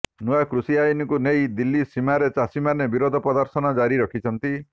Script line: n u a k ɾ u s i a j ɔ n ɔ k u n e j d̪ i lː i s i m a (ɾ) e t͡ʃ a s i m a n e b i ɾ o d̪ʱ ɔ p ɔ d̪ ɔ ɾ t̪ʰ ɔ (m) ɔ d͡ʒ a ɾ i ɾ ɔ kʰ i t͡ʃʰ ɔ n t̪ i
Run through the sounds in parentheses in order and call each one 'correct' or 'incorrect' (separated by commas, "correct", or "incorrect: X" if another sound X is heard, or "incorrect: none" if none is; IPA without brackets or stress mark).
correct, incorrect: n